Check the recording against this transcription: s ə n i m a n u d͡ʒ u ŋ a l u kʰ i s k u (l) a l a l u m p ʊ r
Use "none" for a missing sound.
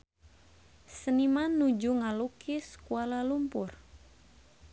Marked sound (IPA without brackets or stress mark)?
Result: none